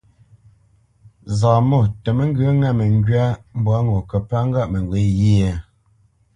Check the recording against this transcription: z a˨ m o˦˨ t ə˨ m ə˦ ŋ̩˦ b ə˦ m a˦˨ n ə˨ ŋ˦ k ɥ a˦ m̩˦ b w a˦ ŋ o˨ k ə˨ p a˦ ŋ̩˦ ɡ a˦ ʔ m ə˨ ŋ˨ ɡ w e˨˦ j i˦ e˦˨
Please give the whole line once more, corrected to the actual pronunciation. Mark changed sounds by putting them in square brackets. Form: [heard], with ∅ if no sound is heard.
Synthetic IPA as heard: z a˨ m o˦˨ t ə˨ m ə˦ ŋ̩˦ [ɡ] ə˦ [ŋ] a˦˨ [m] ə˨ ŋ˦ [ɡ] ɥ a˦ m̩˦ b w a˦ ŋ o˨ k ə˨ p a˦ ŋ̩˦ ɡ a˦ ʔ m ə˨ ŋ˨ ɡ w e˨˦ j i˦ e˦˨